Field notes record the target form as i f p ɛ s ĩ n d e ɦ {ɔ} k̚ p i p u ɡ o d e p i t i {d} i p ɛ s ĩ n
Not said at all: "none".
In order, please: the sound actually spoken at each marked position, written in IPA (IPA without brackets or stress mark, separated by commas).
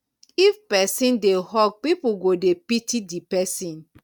ɔ, d